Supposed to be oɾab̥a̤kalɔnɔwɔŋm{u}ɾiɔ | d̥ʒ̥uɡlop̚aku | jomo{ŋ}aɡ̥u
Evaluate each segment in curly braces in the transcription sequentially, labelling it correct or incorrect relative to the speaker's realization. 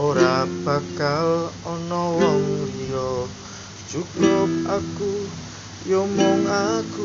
correct, correct

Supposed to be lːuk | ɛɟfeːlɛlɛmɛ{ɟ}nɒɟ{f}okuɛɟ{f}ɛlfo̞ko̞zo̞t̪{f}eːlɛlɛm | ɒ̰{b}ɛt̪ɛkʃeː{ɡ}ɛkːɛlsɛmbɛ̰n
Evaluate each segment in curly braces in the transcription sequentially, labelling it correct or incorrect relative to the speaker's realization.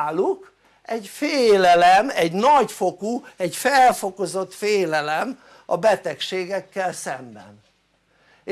correct, correct, correct, correct, correct, correct

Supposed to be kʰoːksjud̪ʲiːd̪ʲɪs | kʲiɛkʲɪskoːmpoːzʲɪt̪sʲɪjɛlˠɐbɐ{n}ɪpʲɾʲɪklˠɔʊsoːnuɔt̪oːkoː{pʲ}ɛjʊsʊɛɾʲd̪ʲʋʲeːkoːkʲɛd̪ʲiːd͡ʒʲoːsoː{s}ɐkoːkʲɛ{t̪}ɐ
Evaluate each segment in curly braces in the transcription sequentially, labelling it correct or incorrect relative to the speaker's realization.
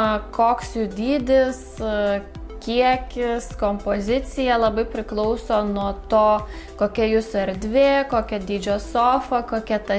incorrect: none, incorrect: kʲ, incorrect: f, correct

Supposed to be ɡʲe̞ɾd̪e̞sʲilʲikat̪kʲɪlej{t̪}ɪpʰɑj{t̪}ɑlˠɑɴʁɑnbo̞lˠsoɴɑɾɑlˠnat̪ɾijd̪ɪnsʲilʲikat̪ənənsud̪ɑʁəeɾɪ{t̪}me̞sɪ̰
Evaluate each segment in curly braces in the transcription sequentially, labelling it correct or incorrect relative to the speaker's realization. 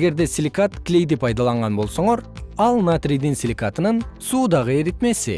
incorrect: d̪, incorrect: d̪, correct

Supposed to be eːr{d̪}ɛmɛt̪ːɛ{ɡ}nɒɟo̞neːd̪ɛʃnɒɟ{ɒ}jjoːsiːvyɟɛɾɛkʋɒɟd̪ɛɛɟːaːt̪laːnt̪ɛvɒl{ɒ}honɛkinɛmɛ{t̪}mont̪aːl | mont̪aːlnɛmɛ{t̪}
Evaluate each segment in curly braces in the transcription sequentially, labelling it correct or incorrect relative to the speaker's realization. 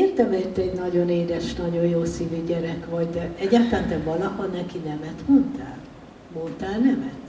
incorrect: t̪, incorrect: ɟ, incorrect: o, correct, correct, correct

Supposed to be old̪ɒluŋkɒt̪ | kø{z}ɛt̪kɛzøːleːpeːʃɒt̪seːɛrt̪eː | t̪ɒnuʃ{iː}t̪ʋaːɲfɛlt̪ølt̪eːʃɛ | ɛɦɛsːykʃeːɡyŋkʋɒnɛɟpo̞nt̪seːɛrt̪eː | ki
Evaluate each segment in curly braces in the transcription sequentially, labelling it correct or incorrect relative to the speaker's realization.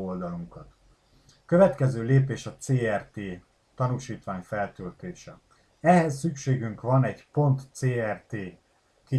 incorrect: v, correct

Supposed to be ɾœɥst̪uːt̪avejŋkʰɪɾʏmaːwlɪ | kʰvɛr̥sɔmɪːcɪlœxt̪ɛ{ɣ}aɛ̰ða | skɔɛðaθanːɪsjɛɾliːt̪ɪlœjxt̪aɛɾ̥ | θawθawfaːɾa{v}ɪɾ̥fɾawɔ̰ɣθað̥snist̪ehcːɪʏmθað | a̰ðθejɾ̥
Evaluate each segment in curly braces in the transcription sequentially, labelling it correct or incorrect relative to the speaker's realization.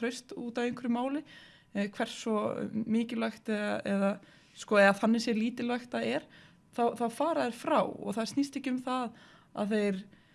incorrect: ð, incorrect: ð

